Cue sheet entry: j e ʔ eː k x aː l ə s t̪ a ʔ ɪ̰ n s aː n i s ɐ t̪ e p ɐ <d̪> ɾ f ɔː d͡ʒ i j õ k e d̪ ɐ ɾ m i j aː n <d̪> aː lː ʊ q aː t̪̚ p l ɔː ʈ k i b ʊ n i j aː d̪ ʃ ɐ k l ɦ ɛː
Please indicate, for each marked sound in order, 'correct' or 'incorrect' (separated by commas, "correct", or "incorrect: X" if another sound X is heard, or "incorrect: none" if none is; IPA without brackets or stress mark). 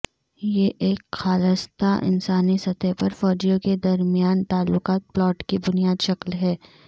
incorrect: none, incorrect: t̪